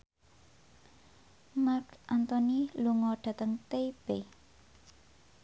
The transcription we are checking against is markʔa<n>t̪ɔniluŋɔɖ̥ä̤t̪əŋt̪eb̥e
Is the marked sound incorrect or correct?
correct